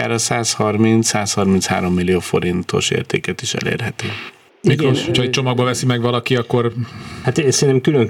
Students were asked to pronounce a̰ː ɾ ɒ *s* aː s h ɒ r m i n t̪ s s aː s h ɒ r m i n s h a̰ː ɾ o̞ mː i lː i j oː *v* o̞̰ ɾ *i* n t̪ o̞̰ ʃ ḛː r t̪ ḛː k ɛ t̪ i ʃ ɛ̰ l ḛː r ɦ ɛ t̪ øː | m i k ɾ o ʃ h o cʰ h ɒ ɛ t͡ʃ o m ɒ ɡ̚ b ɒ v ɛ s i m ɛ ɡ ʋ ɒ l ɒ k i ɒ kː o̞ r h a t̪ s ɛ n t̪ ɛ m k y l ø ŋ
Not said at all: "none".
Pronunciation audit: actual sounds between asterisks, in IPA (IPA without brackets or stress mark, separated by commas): s, f, i